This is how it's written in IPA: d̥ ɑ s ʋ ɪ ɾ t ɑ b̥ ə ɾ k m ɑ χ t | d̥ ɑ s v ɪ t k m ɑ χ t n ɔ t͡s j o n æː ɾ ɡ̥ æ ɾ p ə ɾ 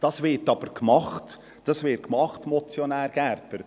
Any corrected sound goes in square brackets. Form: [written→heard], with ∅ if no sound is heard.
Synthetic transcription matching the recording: d̥ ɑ s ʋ ɪ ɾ t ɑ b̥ ə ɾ k m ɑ χ t | d̥ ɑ s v ɪ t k m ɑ χ t [n→m] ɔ t͡s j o n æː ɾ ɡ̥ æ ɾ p ə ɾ